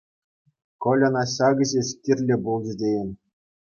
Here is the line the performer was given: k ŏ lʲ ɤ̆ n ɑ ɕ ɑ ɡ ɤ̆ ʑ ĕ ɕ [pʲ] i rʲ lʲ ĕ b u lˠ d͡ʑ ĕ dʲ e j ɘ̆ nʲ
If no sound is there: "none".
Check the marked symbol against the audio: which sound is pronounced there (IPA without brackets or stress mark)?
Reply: kʲ